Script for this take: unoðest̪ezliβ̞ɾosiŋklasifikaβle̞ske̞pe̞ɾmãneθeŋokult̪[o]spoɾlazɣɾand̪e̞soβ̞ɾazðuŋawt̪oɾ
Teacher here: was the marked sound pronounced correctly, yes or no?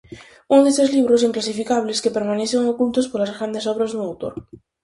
yes